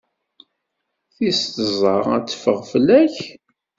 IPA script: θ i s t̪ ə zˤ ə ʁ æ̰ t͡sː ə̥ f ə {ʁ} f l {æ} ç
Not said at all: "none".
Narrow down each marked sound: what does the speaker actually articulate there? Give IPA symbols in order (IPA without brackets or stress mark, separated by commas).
ʁ, æ